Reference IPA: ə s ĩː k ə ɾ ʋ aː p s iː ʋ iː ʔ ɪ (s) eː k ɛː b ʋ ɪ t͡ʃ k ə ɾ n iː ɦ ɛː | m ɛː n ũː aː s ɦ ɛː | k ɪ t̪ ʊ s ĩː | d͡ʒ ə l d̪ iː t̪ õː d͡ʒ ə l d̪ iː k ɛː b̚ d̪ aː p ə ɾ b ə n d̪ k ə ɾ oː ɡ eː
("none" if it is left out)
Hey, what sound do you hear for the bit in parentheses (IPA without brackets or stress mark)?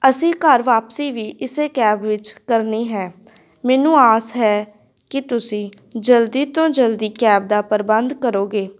s